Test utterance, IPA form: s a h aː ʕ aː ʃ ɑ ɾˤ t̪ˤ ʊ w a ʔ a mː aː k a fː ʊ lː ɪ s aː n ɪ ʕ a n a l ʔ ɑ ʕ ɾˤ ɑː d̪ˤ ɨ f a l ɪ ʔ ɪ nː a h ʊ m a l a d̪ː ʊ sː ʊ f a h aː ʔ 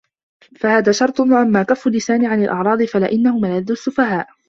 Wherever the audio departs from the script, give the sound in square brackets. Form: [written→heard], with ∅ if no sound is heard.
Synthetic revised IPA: [s→f] a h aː [ʕ→ð] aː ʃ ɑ ɾˤ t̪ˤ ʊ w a ʔ a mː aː k a fː ʊ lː ɪ s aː n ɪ ʕ a n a l ʔ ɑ ʕ ɾˤ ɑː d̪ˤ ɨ f a l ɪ ʔ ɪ nː a h ʊ m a l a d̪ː ʊ sː ʊ f a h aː ʔ